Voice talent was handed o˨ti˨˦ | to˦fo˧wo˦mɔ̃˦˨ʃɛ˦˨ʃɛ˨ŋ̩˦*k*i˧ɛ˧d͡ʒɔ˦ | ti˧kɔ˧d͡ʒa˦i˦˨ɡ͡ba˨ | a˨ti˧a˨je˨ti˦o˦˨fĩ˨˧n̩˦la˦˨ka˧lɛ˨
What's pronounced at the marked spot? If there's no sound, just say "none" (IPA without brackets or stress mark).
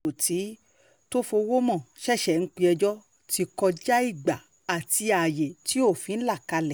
k͡p